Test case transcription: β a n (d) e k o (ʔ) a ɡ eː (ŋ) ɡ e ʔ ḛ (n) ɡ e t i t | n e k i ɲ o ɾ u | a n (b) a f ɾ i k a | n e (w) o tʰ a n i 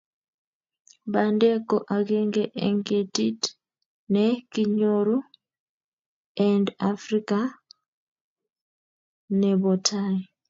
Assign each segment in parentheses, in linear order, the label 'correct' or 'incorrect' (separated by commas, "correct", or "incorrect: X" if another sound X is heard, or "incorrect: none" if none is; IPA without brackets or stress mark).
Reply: correct, correct, correct, incorrect: ŋ, incorrect: d, incorrect: β